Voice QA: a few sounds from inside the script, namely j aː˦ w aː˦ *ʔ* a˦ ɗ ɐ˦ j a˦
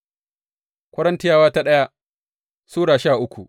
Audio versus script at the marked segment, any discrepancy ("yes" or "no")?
yes